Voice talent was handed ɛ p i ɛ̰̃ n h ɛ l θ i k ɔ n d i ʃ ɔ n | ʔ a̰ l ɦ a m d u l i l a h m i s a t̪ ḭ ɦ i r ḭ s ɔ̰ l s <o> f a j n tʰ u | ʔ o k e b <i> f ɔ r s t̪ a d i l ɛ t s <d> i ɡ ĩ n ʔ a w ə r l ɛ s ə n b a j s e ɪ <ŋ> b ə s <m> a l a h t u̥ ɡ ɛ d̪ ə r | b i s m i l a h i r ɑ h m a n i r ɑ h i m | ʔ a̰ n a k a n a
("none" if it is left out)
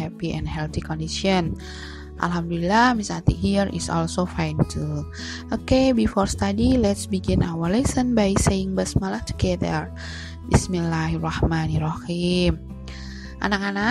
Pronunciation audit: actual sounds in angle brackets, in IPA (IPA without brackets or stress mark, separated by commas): o, i, b, ŋ, m